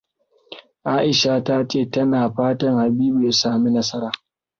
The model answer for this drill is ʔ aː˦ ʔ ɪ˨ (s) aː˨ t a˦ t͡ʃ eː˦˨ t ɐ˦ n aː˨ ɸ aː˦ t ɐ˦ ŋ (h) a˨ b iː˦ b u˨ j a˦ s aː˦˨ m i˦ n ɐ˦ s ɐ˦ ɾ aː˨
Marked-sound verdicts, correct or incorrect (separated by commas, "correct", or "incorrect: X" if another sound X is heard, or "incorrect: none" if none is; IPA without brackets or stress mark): incorrect: ʃ, correct